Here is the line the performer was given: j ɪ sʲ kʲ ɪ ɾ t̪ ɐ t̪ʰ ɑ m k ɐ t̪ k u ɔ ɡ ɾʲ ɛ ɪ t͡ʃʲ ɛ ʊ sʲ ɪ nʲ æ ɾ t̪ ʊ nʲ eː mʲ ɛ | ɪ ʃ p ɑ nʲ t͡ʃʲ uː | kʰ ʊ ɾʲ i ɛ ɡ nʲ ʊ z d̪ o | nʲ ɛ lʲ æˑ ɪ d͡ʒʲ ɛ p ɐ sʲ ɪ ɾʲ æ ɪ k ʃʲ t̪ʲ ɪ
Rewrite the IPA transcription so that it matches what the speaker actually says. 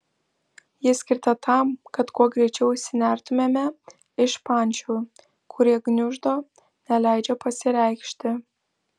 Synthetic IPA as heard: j ɪ sʲ kʲ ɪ ɾ t̪ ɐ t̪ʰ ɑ m k ɐ t̪ k u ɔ ɡ ɾʲ ɛ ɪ t͡ʃʲ ɛ ʊ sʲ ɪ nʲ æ ɾ t̪ ʊ mʲ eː mʲ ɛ | ɪ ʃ p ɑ nʲ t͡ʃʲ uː | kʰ ʊ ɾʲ i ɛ ɡ nʲ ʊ ʒ d̪ o | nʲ ɛ lʲ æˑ ɪ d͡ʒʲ ɛ p ɐ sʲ ɪ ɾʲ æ ɪ k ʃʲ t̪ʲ ɪ

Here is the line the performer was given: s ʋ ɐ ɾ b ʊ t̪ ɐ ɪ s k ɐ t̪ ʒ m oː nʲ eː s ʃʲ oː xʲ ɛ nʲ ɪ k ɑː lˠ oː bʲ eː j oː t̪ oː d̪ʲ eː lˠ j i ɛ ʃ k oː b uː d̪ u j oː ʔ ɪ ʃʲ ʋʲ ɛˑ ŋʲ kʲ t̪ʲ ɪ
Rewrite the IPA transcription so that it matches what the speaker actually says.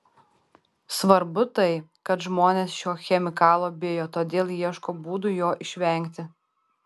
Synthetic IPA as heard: s ʋ ɐ ɾ b ʊ t̪ ɐ ɪ k ɐ t̪ ʒ m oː nʲ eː s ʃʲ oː xʲ ɛ mʲ ɪ k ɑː lˠ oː bʲ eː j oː t̪ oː d̪ʲ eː lˠ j i ɛ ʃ k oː b uː d̪ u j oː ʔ ɪ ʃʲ ʋʲ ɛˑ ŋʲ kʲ t̪ʲ ɪ

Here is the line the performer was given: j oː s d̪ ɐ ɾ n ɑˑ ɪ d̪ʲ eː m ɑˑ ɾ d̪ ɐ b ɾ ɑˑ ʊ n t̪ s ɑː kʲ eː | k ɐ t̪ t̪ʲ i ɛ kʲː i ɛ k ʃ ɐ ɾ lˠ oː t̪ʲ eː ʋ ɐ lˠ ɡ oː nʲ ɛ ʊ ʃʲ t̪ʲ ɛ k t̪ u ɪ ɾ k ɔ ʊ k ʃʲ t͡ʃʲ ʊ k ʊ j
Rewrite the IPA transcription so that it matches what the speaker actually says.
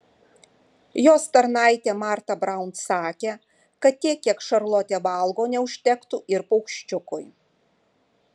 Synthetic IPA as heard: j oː s t̪ ɐ ɾ n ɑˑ ɪ t̪ʲ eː m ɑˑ ɾ t̪ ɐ b ɾ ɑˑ ʊ n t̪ s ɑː kʲ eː | k ɐ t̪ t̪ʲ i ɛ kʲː i ɛ k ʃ ɐ ɾ lˠ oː t̪ʲ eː ʋ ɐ lˠ ɡ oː nʲ ɛ ʊ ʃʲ t̪ʲ ɛ k t̪ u ɪ ɾ p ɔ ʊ k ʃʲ t͡ʃʲ ʊ k ʊ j

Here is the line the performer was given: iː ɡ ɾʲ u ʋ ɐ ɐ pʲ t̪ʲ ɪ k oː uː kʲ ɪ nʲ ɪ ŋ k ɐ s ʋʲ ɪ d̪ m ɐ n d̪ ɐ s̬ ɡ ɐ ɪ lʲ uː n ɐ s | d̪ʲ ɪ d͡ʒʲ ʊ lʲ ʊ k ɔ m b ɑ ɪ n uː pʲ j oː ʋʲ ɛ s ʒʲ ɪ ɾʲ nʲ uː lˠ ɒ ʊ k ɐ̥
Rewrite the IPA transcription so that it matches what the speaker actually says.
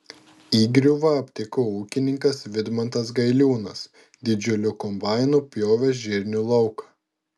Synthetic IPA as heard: iː ɡ ɾʲ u ʋ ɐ ɐ pʲ t̪ʲ ɪ k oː uː kʲ ɪ nʲ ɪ ŋ k ɐ s ʋʲ ɪ d̪ m ɐ n t̪ ɐ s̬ ɡ ɐ ɪ lʲ uː n ɐ s | d̪ʲ ɪ d͡ʒʲ ʊ lʲ ʊ k ɔ m b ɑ ɪ n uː pʲ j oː ʋʲ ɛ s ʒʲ ɪ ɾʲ nʲ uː lˠ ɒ ʊ k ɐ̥

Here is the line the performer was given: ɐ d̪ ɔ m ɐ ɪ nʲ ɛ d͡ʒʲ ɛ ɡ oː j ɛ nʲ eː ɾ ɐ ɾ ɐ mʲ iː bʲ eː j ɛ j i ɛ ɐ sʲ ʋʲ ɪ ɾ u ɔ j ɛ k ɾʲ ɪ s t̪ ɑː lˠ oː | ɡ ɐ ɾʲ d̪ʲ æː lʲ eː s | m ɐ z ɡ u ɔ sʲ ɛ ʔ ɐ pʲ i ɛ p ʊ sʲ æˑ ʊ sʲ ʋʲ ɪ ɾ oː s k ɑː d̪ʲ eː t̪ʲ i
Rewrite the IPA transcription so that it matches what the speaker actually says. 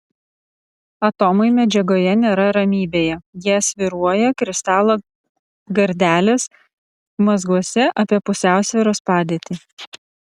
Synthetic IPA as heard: ɐ t̪ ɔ m ɐ ɪ mʲ ɛ d͡ʒʲ ɛ ɡ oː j ɛ nʲ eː ɾ ɐ ɾ ɐ mʲ iː bʲ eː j ɛ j i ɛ ɐ sʲ ʋʲ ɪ ɾ u ɔ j ɛ k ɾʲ ɪ s t̪ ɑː lˠ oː | ɡ ɐ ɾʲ d̪ʲ æː lʲ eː s | m ɐ z ɡ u ɔ sʲ ɛ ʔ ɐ pʲ i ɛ p ʊ sʲ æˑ ʊ sʲ ʋʲ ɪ ɾ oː s p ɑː d̪ʲ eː t̪ʲ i

